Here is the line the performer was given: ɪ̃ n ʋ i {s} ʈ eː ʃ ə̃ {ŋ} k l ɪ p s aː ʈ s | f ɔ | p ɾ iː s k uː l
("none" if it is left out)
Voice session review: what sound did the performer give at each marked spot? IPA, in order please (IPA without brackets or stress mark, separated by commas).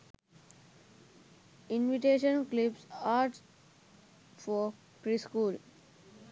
none, n